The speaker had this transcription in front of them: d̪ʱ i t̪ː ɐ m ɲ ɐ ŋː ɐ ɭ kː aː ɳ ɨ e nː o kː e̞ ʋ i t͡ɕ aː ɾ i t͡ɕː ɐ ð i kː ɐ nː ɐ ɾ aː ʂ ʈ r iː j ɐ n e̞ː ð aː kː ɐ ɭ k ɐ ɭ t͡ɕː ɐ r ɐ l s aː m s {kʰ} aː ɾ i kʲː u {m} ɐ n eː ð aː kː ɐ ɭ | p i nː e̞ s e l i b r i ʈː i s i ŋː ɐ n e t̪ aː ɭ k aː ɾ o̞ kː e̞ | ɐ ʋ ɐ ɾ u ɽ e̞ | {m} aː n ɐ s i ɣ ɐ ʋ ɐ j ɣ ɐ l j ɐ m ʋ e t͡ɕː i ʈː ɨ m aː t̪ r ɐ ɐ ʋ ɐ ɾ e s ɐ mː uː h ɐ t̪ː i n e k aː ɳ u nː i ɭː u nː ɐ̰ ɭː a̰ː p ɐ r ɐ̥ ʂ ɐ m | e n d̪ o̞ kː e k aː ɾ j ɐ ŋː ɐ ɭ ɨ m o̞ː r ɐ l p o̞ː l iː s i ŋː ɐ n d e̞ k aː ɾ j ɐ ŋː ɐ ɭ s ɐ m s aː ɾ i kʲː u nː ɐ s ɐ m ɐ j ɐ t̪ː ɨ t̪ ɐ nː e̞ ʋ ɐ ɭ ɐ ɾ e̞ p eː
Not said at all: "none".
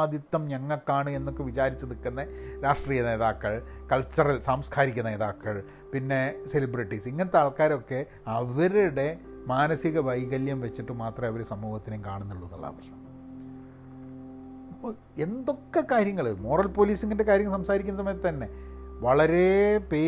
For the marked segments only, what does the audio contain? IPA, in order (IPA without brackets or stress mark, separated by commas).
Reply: kʰ, n, m